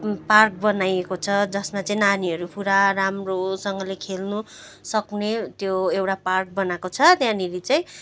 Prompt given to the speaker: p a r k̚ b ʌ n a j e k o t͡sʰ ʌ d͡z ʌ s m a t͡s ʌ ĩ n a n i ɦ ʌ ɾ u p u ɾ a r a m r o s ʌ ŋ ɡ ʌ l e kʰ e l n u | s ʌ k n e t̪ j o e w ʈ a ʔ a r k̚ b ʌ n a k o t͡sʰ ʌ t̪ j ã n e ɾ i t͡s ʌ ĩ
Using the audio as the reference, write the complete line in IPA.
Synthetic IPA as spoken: p a r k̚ b ʌ n a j e k o t͡sʰ ʌ d͡z ʌ s m a t͡s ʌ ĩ n a n i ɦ ʌ ɾ u p u ɾ a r a m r o s ʌ ŋ ɡ ʌ l e kʰ e l n u | s ʌ k n e t̪ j o e w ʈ a p a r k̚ b ʌ n a k o t͡sʰ ʌ t̪ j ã n i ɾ i t͡s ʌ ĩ